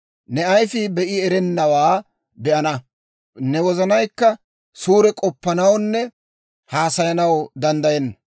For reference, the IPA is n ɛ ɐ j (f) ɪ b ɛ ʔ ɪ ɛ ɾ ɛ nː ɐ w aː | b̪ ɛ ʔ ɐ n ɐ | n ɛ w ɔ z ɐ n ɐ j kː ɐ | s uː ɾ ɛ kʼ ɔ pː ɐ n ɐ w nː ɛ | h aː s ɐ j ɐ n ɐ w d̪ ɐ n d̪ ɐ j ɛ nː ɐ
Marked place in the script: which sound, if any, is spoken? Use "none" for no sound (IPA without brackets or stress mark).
f